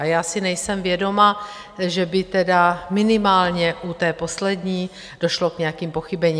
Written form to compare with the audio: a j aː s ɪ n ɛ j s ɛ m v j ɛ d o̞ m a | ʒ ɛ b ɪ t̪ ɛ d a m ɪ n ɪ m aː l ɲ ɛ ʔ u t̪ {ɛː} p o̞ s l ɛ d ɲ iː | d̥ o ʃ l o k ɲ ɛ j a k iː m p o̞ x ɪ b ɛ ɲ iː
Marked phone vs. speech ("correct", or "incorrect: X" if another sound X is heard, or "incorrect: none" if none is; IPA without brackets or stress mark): correct